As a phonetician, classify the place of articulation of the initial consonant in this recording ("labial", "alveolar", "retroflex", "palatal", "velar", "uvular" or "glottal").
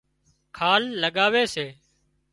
velar